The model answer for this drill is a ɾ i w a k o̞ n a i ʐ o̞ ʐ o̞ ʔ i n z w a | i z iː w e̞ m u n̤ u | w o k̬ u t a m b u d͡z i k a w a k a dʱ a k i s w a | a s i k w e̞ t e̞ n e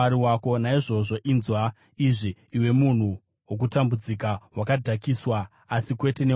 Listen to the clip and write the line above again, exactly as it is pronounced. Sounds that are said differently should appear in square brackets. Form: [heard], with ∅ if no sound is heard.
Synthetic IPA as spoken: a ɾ i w a k o̞ n a i ʐ o̞ ʐ o̞ ʔ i n z w a | i [ʐ] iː w e̞ m u n̤ u | w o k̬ u t a m b u d͡z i k a w a k a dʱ a k i s w a | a s i k w e̞ t e̞ n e